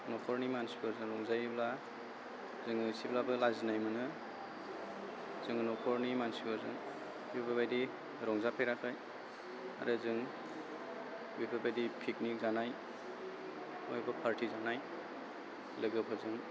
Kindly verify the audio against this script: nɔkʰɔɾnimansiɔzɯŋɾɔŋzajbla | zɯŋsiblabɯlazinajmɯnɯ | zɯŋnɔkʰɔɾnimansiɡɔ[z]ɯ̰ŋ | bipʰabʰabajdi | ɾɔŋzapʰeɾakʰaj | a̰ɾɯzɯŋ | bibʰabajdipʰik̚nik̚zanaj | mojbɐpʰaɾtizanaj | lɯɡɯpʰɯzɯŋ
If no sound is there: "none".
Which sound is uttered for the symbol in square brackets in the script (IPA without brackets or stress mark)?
z